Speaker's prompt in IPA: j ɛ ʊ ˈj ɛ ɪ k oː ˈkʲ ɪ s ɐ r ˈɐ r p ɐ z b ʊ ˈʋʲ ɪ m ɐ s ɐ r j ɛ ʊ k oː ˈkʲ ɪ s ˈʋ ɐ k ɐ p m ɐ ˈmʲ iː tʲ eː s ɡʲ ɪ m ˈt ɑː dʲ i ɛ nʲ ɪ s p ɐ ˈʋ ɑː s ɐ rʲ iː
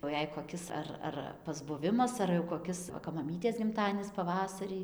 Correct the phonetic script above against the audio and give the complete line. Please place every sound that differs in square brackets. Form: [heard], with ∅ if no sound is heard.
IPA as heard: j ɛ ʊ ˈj ɛ ɪ k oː ˈkʲ ɪ s ɐ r ˈɐ r p ɐ z b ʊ ˈʋʲ ɪ m ɐ s ɐ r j ɛ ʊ k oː ˈkʲ ɪ s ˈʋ ɐ k ɐ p m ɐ ˈmʲ iː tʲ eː s ɡʲ ɪ m ˈt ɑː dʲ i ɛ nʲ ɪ s p ɐ ˈʋ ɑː s ɐ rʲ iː